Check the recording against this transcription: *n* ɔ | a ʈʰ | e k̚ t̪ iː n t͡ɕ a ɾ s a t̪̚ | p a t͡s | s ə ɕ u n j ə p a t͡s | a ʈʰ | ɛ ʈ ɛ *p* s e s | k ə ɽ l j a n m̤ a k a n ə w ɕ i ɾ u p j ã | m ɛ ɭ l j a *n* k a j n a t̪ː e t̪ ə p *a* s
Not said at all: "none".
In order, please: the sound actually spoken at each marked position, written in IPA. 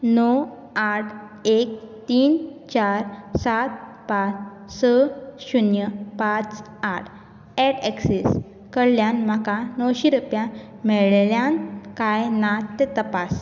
n, k, n, a

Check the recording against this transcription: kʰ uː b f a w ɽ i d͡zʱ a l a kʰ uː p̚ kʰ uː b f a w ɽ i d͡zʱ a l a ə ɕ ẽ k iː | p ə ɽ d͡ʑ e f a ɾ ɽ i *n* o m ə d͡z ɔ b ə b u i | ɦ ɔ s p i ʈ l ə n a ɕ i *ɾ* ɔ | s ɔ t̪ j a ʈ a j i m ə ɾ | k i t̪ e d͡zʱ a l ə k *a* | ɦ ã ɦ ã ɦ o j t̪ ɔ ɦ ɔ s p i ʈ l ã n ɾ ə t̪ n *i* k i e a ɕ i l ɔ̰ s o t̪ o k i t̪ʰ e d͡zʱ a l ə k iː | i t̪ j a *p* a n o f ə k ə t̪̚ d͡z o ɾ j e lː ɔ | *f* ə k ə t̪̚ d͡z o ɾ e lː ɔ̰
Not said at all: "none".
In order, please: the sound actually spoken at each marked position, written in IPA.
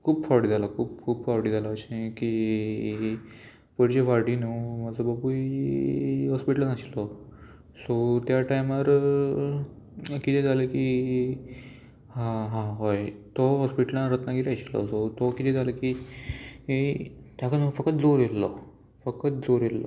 n, l, i, a, k, f

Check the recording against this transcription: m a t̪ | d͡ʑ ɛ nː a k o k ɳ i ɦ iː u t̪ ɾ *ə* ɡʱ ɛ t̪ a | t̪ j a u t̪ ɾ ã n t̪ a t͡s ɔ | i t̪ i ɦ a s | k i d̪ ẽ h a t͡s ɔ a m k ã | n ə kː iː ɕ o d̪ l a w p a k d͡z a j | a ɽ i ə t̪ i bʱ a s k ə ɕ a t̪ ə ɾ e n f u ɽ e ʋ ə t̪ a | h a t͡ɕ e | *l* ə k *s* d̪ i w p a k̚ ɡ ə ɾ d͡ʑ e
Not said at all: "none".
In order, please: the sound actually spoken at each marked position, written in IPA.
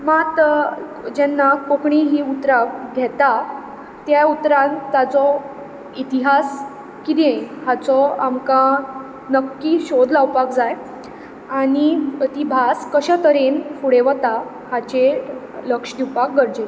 a, l, ʂ

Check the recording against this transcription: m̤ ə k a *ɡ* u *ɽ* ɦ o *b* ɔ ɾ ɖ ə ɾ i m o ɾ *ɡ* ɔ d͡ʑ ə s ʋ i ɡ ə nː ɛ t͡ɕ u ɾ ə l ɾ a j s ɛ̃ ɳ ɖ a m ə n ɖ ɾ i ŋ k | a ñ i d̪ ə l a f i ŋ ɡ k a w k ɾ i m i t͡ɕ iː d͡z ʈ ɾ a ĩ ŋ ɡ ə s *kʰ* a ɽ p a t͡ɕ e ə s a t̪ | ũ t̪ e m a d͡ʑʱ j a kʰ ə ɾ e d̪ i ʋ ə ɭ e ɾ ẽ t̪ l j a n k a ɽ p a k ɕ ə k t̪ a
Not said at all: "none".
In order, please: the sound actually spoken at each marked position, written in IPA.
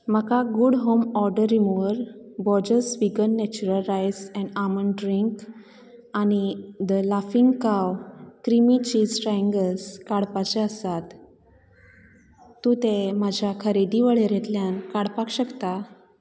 ɡ, ɽ, m, b, k

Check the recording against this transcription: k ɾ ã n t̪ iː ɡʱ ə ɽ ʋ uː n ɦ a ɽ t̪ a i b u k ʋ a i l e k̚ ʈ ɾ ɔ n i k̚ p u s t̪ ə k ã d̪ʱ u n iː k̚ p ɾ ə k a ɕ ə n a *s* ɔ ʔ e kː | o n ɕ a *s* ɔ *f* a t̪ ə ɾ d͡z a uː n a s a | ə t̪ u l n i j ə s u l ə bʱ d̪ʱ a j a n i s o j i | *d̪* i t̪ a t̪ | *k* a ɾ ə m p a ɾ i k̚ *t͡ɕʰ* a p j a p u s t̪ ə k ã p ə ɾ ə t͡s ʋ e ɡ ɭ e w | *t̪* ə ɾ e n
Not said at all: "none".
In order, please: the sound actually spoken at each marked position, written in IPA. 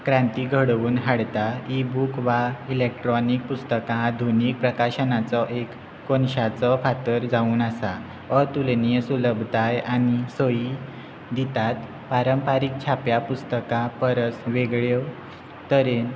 t͡s, t͡s, f, d̪, p, t͡ɕʰ, t̪

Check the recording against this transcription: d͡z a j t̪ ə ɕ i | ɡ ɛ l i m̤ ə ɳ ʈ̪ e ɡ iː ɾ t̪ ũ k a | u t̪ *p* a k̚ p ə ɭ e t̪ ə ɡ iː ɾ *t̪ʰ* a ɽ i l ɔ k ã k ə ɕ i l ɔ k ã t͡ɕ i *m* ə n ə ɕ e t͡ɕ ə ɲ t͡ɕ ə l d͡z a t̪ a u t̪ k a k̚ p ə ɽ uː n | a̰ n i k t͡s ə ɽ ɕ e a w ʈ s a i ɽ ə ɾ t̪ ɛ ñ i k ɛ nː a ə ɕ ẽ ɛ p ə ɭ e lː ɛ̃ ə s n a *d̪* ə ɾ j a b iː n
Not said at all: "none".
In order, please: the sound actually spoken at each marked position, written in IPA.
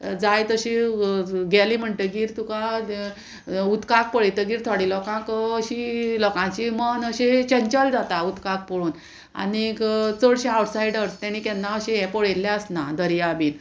k, t̪ʰ, m, d̪

